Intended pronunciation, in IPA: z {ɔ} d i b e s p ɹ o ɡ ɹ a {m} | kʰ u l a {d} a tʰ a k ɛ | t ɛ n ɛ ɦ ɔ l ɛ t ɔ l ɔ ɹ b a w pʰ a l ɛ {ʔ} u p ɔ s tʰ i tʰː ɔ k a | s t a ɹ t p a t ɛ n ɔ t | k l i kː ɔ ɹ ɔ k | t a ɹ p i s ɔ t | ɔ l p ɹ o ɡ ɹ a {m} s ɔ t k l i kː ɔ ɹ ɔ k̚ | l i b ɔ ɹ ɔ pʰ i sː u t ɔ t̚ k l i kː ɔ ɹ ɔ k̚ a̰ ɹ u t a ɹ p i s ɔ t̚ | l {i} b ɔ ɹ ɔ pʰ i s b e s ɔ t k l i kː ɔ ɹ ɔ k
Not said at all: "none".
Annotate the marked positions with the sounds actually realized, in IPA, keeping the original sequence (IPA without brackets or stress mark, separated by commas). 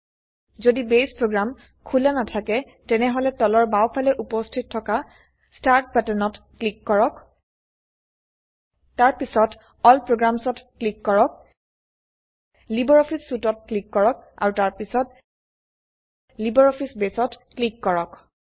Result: o, m, n, ʔ, m, i